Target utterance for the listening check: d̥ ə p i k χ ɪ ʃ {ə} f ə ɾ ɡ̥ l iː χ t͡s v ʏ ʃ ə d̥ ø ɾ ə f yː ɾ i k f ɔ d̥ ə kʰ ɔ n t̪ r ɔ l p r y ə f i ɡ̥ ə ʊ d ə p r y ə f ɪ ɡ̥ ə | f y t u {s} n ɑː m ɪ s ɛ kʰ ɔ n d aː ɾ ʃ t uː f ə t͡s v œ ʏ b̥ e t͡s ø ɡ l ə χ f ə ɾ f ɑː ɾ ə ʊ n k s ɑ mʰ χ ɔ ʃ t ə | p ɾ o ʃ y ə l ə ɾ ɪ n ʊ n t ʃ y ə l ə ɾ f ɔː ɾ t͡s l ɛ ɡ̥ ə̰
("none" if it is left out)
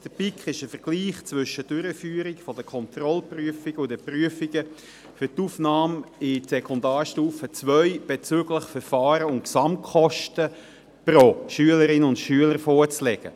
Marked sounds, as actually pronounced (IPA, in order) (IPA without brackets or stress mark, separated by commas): ə, f